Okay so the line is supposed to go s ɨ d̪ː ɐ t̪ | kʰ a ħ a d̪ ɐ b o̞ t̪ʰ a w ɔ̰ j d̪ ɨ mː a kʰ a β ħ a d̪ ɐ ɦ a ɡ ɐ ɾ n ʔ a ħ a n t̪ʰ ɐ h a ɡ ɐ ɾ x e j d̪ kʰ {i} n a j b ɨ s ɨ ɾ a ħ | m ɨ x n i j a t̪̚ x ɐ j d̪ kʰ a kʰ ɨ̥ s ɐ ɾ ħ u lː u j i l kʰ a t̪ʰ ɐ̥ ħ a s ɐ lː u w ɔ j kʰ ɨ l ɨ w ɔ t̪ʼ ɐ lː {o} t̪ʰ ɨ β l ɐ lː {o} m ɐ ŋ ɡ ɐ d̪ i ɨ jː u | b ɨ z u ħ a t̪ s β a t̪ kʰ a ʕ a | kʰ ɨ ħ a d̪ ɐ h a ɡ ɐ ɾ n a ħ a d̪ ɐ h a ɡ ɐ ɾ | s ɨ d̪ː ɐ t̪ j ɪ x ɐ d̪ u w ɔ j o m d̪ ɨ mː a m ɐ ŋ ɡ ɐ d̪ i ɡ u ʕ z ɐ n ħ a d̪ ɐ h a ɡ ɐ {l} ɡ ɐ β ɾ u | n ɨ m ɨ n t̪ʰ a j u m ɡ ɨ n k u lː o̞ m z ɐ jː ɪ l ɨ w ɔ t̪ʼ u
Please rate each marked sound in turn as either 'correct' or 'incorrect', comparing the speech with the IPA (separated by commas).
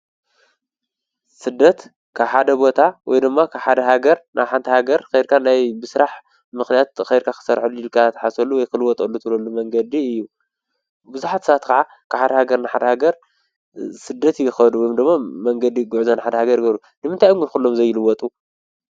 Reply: incorrect, incorrect, incorrect, incorrect